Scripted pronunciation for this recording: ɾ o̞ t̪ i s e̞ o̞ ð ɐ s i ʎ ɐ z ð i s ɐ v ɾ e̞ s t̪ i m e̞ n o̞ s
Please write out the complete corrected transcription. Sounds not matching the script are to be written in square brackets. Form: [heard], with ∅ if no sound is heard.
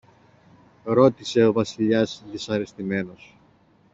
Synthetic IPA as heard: ɾ o̞ t̪ i s e̞ o̞ [v] ɐ s i ʎ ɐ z ð i s ɐ [∅] ɾ e̞ s t̪ i m e̞ n o̞ s